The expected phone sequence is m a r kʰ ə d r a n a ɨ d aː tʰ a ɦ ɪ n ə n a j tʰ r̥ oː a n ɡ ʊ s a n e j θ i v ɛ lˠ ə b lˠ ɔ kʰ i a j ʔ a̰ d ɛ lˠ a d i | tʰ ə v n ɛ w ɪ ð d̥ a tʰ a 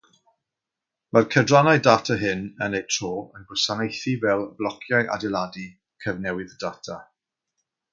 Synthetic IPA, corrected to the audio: m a r kʰ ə d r a n a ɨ d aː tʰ a ɦ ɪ n ə n e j tʰ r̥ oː ə n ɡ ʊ s a n e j θ i v ɛ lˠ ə b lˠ ɔ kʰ j a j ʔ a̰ d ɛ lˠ a d i | kʰ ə v n ɛ w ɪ ð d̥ a tʰ a